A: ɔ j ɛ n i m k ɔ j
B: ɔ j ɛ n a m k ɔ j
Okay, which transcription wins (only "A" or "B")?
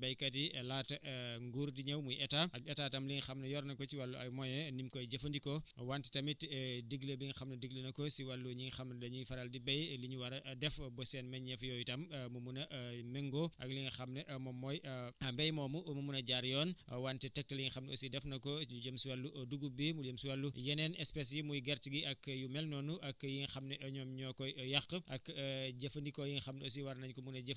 A